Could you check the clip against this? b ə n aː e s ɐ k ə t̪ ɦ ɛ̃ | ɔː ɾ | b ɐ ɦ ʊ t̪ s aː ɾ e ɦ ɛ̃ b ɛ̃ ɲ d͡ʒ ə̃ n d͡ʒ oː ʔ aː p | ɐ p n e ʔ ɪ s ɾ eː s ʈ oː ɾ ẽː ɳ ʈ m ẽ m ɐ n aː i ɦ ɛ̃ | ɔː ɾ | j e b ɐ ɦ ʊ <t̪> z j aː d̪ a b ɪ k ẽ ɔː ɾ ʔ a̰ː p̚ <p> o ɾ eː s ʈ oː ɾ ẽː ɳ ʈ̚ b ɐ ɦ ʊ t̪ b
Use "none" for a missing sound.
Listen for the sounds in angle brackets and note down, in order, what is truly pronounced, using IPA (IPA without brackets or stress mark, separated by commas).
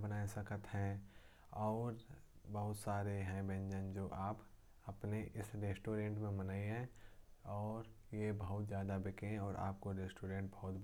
t̪, k